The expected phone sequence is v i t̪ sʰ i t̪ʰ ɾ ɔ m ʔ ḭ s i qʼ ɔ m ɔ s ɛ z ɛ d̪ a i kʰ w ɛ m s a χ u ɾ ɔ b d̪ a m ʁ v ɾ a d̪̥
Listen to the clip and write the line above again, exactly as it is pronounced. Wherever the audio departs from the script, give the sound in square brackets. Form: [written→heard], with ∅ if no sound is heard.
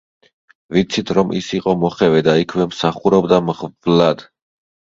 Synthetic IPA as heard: v i t̪ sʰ i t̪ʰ ɾ ɔ m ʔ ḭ s i qʼ ɔ m ɔ [s→χ] ɛ [z→v] ɛ d̪ a i kʰ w ɛ m s a χ u ɾ ɔ b d̪ a m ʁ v [ɾ→l] a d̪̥

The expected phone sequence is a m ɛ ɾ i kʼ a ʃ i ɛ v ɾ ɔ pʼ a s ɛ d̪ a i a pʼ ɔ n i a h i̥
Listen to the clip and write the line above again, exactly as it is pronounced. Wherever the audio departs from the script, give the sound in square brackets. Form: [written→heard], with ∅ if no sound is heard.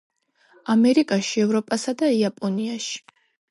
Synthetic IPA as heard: a m ɛ ɾ i kʼ a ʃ i ɛ v ɾ ɔ pʼ a s [ɛ→a] d̪ a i a pʼ ɔ n i a [h→ʃ] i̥

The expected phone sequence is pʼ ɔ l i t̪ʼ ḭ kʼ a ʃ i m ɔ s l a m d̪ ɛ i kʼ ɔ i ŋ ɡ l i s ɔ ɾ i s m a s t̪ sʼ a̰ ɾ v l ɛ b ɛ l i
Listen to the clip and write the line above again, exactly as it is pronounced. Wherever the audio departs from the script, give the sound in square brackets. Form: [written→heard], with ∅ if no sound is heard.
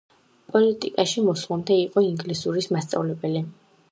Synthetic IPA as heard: pʼ ɔ l i t̪ʼ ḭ kʼ a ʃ i m ɔ s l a m d̪ ɛ i [kʼ→qʼ] ɔ i ŋ ɡ l i s [ɔ→u] ɾ i s m a s t̪ sʼ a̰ [ɾ→∅] v l ɛ b ɛ l i

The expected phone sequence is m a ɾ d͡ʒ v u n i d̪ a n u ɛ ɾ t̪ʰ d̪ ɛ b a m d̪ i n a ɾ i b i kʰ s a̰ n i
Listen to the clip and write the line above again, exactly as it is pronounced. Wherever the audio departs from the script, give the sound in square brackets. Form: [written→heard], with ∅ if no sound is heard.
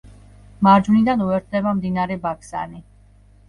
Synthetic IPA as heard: m a ɾ d͡ʒ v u n i d̪ a n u ɛ ɾ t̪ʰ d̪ ɛ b a m d̪ i n a ɾ [i→ɛ] b [i→a] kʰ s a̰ n i

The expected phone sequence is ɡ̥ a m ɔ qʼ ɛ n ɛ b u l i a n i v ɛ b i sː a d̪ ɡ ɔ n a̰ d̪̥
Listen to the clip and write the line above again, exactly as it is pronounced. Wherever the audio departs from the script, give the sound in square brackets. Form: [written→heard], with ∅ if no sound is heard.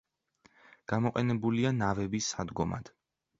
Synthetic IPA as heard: ɡ̥ a m ɔ qʼ ɛ n ɛ b u l i a n [i→a] v ɛ b i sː a d̪ ɡ ɔ [n→m] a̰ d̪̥

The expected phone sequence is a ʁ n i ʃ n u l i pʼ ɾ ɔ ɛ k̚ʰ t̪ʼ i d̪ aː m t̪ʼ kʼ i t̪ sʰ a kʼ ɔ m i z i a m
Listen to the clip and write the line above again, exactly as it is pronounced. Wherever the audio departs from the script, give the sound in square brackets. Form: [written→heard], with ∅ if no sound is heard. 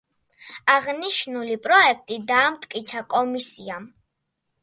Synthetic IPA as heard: a ʁ n i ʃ n u l i pʼ ɾ ɔ ɛ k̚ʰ t̪ʼ i d̪ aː m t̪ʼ kʼ i t̪ sʰ a kʼ ɔ m i [z→s] i a m

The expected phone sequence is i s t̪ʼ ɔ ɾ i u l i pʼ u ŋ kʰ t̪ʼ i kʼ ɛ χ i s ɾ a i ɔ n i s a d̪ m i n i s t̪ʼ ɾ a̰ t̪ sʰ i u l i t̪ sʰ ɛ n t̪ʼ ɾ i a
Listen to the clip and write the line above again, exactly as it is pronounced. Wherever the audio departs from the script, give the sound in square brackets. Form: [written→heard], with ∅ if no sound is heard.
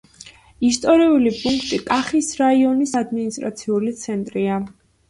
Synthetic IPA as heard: i s t̪ʼ ɔ ɾ i u l i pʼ u ŋ kʰ t̪ʼ i kʼ [ɛ→a] χ i s ɾ a i ɔ n i s a d̪ m i n i s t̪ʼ ɾ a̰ t̪ sʰ i u l i t̪ sʰ ɛ n t̪ʼ ɾ i a

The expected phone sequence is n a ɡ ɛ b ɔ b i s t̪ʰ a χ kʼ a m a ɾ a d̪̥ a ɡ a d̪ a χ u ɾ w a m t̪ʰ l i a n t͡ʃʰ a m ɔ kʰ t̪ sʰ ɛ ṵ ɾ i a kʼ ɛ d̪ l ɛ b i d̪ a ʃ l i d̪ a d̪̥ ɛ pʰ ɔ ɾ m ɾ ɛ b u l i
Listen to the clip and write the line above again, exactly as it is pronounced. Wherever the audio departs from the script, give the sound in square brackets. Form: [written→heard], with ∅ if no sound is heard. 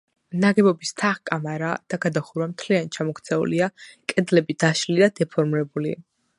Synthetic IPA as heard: n a ɡ ɛ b ɔ b i s t̪ʰ a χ kʼ a m a ɾ a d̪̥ a ɡ a d̪ a χ u ɾ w a m t̪ʰ l i a n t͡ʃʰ a m ɔ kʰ t̪ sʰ ɛ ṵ [ɾ→l] i a kʼ ɛ d̪ l ɛ b i d̪ a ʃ l i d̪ a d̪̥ ɛ pʰ ɔ ɾ m ɾ ɛ b u l i

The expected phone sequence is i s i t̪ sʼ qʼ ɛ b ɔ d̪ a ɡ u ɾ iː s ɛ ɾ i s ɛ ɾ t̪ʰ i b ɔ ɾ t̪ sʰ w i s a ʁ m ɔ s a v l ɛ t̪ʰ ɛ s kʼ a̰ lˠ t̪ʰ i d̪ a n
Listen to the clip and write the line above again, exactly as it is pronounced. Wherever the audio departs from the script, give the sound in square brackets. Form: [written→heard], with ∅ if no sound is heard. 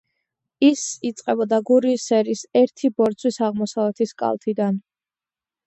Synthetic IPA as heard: i s i t̪ sʼ qʼ ɛ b ɔ d̪ a ɡ u ɾ iː s ɛ ɾ i s ɛ ɾ t̪ʰ i b ɔ ɾ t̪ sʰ w i s a ʁ m ɔ s a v l ɛ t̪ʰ [ɛ→i] s kʼ a̰ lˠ t̪ʰ i d̪ a n

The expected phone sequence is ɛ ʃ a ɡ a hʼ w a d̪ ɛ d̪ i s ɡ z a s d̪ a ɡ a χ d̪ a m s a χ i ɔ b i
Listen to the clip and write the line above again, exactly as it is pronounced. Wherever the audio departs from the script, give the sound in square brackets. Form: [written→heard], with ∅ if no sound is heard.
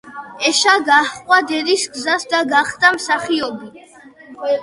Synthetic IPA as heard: ɛ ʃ a ɡ a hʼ w a d̪ ɛ d̪ i s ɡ z a s d̪ a ɡ a χ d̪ a m s a χ i ɔ b i

